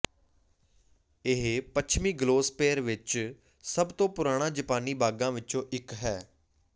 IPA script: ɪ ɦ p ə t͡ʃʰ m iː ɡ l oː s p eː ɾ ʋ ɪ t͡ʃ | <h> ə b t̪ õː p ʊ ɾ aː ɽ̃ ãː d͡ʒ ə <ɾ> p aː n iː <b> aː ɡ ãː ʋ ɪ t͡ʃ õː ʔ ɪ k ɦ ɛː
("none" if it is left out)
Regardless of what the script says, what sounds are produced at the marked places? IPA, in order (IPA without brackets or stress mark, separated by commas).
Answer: s, none, b